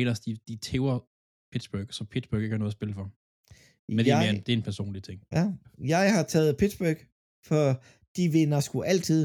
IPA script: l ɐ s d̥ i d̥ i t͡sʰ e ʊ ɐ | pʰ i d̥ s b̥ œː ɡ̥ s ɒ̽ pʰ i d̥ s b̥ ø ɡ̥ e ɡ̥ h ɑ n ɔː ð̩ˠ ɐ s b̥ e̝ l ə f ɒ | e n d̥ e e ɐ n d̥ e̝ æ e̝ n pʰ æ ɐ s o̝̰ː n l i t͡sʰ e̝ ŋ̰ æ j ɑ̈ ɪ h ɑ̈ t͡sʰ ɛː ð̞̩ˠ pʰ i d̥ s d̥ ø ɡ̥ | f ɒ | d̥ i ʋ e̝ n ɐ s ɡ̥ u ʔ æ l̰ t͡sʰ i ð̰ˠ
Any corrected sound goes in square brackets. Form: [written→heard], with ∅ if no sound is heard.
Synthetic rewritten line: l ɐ s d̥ i d̥ i t͡sʰ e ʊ ɐ | pʰ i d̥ s b̥ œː ɡ̥ s ɒ̽ pʰ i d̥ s b̥ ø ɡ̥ e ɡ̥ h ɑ n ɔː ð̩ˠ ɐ s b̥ e̝ l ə f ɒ | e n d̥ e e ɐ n d̥ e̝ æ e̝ n pʰ æ ɐ s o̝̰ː n l i t͡sʰ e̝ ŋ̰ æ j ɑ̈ ɪ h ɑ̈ t͡sʰ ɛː ð̞̩ˠ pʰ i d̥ s [d̥→b̥] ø ɡ̥ | f ɒ | d̥ i ʋ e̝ n ɐ s ɡ̥ u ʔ æ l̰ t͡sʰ i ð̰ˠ